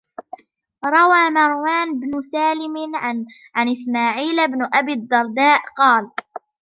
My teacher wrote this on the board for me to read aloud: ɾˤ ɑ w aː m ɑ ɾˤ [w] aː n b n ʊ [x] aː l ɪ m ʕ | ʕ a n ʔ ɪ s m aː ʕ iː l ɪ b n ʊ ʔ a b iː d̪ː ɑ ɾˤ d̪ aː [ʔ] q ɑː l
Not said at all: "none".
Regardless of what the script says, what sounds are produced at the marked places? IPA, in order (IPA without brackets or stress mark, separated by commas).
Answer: w, s, ʔ